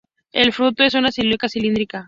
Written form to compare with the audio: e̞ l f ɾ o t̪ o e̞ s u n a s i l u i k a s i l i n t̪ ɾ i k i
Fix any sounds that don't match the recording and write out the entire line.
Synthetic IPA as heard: e̞ l f ɾ u t̪ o e̞ s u n a s i l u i k a s i l i n d̪ ɾ i k a